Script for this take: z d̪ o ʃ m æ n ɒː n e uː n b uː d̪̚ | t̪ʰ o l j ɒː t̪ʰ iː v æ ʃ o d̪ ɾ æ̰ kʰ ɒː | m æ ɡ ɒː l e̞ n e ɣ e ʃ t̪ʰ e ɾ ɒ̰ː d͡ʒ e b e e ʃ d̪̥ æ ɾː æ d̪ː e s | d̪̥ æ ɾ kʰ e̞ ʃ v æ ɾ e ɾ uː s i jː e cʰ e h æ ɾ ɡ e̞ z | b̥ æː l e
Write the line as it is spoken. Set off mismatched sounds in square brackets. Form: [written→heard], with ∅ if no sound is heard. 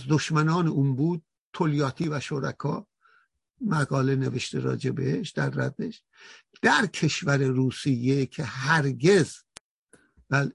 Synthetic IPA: z d̪ o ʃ m æ n ɒː n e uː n b uː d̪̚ | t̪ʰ o l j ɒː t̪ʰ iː v æ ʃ o [d̪→∅] ɾ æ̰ kʰ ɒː | m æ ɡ ɒː l e̞ n e [ɣ→v] e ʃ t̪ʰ e ɾ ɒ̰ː d͡ʒ e b e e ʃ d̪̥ æ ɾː æ d̪ː e [s→ʃ] | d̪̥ æ ɾ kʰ e̞ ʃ v æ ɾ e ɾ uː s i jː e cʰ e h æ ɾ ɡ e̞ z | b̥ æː l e